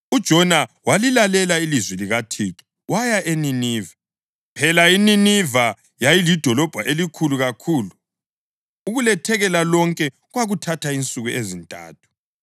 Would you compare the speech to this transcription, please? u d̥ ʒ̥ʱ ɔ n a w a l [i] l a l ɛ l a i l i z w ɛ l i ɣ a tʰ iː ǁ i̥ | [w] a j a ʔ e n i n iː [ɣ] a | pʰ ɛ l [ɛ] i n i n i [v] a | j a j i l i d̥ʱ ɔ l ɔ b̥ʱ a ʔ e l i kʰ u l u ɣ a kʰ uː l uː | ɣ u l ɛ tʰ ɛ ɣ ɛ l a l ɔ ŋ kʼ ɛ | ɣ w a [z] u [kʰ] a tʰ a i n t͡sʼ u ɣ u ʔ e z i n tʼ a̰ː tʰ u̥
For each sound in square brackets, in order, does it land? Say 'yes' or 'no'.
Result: yes, yes, no, no, yes, no, no

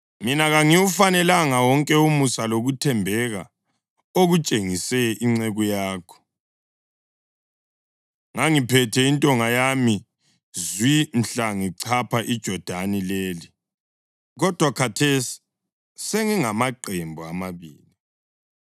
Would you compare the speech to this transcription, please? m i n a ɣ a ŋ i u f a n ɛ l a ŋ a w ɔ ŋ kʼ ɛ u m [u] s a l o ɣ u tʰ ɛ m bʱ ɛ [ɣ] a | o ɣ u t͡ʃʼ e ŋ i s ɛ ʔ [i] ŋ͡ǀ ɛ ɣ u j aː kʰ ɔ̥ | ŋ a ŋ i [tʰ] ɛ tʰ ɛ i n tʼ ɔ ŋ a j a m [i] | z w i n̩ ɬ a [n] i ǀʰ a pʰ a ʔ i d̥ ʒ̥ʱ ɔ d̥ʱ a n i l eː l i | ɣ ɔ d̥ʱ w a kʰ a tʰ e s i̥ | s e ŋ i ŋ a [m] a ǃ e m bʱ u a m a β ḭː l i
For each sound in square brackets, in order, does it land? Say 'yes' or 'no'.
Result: yes, yes, yes, no, yes, no, yes

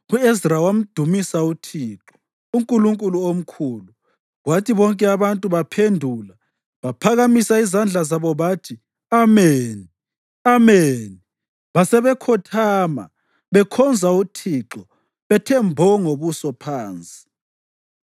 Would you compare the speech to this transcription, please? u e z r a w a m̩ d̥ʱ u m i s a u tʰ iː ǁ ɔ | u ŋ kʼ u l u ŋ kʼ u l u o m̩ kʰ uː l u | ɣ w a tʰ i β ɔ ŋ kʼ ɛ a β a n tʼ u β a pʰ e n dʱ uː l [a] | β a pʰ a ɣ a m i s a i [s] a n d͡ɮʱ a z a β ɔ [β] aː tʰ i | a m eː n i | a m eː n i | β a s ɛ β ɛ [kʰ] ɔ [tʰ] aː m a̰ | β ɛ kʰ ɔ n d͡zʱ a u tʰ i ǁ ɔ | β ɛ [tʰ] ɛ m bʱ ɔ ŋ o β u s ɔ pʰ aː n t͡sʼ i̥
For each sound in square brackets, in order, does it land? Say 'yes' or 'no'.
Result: yes, no, yes, yes, yes, yes

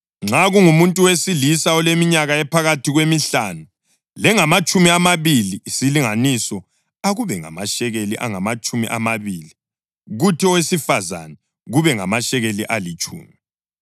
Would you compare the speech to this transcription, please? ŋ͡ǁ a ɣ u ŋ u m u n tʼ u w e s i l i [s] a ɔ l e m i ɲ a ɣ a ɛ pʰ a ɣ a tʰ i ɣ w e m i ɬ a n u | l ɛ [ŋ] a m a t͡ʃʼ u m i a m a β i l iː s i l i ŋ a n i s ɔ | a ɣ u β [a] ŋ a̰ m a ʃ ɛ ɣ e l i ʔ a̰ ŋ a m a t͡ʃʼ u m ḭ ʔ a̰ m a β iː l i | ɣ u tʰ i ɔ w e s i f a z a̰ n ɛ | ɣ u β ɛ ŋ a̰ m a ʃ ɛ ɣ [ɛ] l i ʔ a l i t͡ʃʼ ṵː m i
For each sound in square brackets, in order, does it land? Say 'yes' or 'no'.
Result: yes, yes, no, no

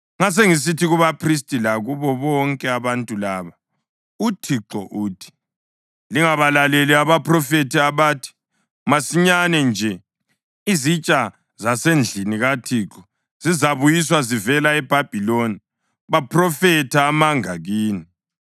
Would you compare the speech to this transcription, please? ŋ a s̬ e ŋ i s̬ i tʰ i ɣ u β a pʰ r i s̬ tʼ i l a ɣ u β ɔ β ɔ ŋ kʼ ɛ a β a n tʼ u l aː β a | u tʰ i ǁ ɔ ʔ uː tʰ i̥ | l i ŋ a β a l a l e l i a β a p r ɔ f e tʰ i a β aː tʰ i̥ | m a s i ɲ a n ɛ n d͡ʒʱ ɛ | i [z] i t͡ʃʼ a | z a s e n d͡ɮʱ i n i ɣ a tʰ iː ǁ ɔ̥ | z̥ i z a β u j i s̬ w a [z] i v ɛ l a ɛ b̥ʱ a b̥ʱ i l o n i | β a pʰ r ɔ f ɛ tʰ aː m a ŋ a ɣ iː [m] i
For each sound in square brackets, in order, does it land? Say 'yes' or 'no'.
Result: yes, yes, no

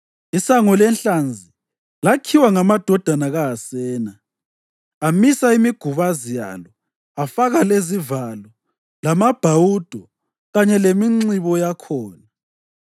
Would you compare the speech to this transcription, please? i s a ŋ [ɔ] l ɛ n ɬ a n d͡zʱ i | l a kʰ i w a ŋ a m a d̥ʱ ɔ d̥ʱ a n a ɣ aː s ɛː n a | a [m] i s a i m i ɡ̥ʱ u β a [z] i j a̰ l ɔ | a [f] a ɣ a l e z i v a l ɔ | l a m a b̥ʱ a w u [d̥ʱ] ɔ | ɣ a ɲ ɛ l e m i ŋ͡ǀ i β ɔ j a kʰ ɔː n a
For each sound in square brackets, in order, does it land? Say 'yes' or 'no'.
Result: yes, yes, yes, yes, yes

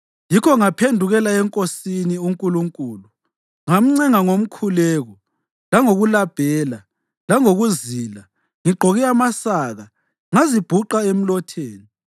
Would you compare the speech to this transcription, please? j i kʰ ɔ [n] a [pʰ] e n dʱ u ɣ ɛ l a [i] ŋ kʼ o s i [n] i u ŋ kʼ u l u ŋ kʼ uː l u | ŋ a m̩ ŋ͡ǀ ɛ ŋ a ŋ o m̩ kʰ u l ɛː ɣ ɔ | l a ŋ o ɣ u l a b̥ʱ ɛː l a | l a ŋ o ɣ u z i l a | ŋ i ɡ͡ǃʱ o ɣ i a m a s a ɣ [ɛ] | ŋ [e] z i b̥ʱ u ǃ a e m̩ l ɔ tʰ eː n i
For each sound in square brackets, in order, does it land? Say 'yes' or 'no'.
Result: no, yes, no, yes, no, no

